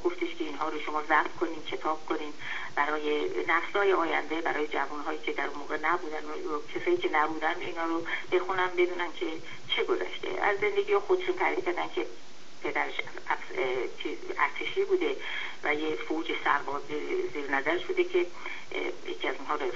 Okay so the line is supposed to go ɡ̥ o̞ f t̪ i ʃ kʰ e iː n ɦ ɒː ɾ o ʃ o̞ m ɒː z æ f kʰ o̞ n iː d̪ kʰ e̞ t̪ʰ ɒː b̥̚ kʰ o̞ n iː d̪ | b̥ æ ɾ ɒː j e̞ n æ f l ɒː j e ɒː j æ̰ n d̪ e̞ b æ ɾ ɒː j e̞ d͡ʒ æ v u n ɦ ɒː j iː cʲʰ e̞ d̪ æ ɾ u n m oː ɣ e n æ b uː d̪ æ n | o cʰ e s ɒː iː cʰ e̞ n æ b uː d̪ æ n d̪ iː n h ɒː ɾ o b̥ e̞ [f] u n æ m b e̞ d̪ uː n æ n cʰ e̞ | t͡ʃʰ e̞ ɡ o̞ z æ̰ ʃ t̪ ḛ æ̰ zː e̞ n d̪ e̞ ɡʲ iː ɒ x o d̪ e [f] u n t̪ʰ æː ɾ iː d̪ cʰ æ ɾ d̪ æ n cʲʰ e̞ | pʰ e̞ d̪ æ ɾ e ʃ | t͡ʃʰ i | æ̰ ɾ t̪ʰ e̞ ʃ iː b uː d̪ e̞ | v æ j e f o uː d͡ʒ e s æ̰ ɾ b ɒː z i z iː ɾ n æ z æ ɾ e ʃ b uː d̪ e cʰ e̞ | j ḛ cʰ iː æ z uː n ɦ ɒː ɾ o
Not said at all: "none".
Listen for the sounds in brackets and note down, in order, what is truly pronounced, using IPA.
x, ʃ

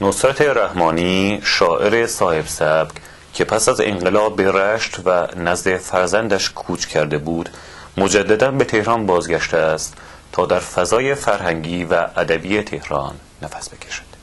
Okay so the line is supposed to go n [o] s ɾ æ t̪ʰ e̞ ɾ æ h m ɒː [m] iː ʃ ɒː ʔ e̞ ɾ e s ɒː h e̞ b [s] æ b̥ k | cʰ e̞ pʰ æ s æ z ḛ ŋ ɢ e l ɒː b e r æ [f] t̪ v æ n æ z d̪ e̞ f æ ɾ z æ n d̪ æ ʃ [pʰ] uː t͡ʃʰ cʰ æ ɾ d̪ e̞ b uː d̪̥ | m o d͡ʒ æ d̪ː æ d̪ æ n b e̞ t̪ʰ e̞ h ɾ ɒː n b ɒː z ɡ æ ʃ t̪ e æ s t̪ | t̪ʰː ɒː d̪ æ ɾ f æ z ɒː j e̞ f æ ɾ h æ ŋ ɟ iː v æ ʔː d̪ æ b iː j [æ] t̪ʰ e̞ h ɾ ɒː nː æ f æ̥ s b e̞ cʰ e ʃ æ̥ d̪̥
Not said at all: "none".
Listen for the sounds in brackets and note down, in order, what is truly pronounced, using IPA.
o, n, s, ʃ, kʰ, e

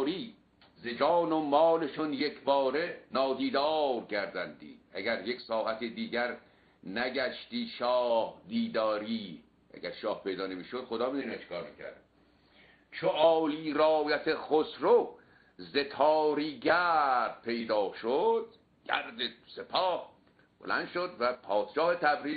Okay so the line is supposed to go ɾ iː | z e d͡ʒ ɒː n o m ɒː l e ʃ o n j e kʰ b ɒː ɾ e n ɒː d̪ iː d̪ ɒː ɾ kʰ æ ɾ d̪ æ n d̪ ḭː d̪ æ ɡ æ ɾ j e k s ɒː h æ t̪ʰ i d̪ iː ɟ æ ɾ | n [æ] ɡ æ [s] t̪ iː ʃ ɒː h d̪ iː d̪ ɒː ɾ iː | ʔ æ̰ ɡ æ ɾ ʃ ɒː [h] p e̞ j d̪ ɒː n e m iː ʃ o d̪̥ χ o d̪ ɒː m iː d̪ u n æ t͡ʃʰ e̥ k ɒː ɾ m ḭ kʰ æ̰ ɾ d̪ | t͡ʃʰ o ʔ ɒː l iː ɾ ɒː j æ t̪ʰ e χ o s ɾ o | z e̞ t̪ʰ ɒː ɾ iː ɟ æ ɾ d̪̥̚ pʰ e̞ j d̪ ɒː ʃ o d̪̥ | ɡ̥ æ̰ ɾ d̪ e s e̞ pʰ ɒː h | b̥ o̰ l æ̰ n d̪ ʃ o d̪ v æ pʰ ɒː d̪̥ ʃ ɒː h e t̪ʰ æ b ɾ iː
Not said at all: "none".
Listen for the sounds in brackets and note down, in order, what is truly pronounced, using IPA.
æ, ʃ, h

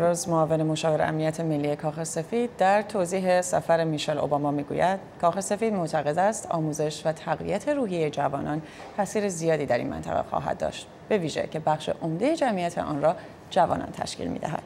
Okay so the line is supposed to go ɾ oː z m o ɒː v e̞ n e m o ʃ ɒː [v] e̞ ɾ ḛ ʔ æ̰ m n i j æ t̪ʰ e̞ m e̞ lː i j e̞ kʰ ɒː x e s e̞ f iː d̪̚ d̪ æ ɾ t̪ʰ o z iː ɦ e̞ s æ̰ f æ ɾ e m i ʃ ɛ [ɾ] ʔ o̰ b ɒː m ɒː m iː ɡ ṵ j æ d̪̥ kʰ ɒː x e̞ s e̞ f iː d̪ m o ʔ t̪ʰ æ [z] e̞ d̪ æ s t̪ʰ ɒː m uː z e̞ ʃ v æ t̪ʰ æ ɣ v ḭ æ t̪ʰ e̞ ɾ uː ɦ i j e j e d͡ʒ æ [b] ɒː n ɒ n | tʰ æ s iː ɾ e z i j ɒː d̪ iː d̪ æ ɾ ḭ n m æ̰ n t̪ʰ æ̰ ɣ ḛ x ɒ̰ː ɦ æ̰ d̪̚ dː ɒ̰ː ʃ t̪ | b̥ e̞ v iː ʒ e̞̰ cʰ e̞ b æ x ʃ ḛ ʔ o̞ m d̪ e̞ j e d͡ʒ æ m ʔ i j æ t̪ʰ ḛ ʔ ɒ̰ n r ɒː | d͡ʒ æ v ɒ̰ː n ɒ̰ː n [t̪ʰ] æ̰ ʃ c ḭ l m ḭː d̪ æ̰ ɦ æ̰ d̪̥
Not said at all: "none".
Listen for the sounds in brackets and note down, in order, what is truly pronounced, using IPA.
v, l, ɣ, v, t̪ʰ

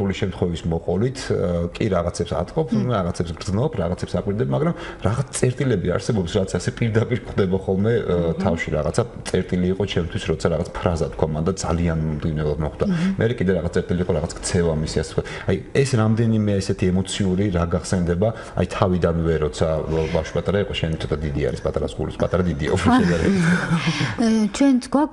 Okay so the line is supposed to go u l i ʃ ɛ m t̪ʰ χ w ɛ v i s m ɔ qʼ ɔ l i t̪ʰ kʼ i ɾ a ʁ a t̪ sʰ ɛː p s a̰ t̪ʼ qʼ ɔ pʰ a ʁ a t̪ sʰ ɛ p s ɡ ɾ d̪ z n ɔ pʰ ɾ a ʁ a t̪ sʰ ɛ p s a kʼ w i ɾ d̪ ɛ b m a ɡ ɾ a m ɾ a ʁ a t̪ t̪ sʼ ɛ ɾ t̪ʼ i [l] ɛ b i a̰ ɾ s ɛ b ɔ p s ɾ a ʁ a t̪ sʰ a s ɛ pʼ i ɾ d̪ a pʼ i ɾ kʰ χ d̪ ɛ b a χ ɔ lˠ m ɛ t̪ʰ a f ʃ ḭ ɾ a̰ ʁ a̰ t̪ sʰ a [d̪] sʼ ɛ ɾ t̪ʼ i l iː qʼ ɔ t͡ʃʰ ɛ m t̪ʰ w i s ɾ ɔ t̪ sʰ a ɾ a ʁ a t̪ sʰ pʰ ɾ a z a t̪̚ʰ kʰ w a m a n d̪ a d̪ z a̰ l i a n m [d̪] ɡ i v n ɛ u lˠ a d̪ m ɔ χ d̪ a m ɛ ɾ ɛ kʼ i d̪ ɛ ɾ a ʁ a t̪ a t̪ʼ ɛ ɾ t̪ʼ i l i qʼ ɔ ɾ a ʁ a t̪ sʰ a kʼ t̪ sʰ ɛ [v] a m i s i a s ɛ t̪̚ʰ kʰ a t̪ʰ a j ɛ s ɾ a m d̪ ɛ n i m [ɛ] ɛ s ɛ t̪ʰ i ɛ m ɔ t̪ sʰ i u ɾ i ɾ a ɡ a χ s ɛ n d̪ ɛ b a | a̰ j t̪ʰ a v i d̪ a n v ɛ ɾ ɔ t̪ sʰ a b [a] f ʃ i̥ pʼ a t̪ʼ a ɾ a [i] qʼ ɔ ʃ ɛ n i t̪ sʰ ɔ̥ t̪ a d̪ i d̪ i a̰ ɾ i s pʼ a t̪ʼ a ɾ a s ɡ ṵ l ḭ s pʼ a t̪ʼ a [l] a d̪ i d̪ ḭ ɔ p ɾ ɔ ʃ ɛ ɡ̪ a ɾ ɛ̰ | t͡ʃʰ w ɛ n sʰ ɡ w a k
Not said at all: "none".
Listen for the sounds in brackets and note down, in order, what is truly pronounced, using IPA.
l, t̪, d̪, v, ɛ, a, i, ɾ

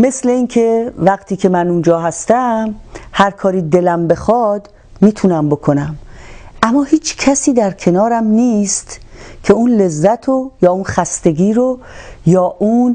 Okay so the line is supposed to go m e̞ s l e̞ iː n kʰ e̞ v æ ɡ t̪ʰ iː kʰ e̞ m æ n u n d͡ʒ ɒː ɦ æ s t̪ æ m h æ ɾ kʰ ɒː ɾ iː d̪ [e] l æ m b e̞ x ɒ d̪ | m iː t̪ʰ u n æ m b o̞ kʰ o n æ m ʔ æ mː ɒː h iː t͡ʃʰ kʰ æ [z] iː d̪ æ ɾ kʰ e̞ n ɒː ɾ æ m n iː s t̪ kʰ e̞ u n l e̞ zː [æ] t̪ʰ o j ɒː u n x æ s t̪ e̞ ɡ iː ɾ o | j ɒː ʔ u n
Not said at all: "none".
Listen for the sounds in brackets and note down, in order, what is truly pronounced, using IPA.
e, s, æ

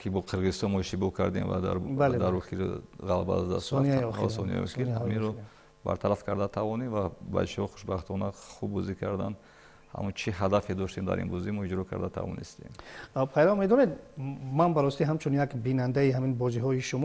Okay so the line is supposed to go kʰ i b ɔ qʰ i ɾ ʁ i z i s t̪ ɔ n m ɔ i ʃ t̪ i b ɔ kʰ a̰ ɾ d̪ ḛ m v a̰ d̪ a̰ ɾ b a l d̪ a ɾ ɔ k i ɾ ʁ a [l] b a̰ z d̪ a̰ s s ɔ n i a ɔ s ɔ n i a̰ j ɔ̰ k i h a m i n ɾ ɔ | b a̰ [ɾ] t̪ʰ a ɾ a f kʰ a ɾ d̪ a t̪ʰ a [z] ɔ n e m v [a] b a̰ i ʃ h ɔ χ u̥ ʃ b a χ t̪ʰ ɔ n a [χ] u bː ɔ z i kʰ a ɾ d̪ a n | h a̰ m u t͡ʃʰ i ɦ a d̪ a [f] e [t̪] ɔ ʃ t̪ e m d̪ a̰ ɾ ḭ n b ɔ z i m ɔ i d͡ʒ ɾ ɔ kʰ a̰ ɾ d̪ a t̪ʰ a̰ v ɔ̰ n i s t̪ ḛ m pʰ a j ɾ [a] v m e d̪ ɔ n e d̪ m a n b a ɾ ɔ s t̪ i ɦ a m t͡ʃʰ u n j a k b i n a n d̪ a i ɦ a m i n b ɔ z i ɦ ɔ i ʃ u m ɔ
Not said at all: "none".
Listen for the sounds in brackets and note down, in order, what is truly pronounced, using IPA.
l, ɾ, v, a, χ, f, d̪, a

